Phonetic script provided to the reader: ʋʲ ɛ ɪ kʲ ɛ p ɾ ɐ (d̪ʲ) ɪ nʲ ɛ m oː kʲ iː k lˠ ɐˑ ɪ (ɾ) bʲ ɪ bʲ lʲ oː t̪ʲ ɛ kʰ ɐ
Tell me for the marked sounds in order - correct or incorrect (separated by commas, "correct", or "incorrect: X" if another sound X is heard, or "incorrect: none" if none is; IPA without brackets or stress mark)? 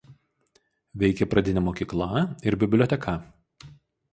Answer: correct, correct